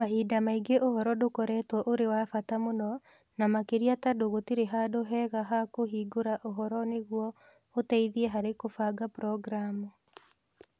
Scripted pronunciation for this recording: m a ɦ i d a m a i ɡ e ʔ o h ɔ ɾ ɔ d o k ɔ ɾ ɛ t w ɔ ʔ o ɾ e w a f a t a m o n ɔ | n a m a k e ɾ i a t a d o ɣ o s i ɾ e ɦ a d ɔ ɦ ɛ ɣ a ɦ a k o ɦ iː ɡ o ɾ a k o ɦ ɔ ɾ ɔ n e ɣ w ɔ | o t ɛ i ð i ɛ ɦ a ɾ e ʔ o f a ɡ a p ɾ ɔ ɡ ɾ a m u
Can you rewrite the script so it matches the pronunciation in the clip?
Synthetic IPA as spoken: m a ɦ i d a m a i ɡ e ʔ o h ɔ ɾ ɔ d o k ɔ ɾ ɛ t w ɔ ʔ o ɾ e w a f a t a m o n ɔ | n a m a k e ɾ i a t a d o ɣ o t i ɾ e ɦ a d o ɦ ɛ ɣ a ɦ a k o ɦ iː ɡ o ɾ a ʔ o ɦ ɔ ɾ ɔ n e ɣ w ɔ | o t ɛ i ð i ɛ ɦ a ɾ e k o f a ɡ a p ɾ ɔ ɡ ɾ a m u